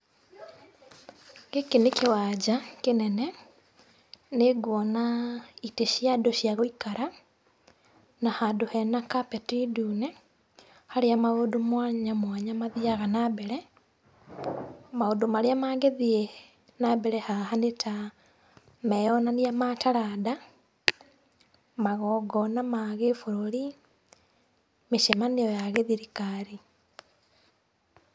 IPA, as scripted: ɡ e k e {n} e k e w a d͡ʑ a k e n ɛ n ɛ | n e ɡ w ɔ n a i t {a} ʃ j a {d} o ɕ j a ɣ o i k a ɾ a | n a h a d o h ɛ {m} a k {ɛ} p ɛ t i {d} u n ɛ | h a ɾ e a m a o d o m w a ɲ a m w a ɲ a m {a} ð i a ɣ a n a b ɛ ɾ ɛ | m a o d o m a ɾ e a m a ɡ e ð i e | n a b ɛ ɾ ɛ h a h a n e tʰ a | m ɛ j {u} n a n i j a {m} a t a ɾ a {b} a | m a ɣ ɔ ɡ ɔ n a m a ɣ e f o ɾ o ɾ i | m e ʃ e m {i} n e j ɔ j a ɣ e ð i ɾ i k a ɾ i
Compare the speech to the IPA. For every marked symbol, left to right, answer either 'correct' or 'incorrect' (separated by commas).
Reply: correct, incorrect, correct, incorrect, incorrect, correct, correct, incorrect, correct, incorrect, incorrect